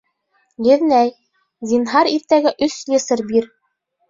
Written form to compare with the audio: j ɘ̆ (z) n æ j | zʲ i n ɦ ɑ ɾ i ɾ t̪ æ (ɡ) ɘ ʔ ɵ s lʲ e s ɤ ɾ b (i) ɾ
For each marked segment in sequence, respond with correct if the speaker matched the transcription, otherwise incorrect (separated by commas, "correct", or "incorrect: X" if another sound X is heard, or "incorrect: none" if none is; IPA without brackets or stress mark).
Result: incorrect: ð, correct, correct